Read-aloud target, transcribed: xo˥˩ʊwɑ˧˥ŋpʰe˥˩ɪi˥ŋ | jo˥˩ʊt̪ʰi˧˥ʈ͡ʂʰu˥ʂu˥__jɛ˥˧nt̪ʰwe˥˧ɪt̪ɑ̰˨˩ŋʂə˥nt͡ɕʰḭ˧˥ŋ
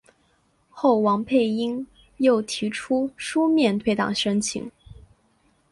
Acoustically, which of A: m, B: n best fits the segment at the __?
A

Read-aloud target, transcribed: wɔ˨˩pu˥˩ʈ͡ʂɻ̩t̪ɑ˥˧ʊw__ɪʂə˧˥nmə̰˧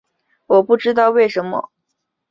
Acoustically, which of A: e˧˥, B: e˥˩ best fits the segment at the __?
B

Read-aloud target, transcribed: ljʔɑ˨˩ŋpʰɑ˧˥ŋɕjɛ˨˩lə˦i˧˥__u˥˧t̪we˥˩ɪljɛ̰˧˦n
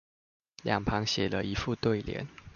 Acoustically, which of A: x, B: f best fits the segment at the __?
B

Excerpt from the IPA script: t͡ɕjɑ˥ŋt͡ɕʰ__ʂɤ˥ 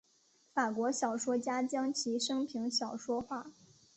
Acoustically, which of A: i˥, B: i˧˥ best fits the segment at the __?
B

